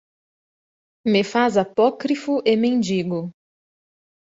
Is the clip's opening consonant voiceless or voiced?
voiced